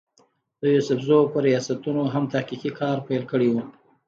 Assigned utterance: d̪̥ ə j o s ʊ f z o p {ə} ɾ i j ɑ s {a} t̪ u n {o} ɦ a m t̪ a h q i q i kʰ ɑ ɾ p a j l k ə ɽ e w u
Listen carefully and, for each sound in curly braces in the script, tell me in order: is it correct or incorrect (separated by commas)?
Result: correct, correct, correct